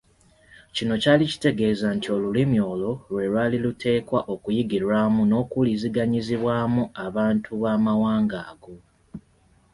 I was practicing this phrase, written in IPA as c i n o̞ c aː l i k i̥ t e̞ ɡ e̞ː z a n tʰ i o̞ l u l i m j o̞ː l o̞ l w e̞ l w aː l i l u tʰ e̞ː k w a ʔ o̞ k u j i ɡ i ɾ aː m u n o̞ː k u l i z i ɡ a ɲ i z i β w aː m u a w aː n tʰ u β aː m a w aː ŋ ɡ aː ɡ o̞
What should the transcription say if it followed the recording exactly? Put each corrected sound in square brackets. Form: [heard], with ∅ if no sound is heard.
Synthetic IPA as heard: c i n o̞ c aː l i [c] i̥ t e̞ ɡ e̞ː z a n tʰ i o̞ l u l i m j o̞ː l o̞ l w e̞ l w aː l i l u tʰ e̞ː k w a ʔ o̞ k u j i ɡ i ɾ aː m u n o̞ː k u l i z i ɡ a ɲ i z i β w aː m u a [β] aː n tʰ u β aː m a w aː ŋ ɡ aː ɡ o̞